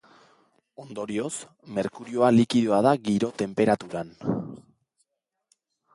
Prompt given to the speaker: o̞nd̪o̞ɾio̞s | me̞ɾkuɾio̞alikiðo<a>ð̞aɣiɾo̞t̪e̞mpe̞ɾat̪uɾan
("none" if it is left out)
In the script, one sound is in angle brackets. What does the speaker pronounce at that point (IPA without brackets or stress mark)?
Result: a